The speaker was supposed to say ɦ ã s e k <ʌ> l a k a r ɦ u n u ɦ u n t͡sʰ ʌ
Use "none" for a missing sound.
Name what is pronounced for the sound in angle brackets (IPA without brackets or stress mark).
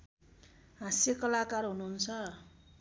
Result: ʌ